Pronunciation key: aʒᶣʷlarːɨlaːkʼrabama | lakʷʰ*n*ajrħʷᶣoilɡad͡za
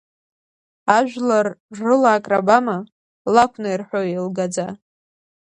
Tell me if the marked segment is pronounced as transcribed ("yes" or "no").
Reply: yes